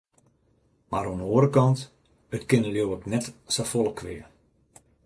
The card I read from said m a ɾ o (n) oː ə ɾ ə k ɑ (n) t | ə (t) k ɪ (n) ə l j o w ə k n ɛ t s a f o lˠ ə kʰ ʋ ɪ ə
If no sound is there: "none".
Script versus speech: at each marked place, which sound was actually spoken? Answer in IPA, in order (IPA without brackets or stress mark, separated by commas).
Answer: n, n, t, n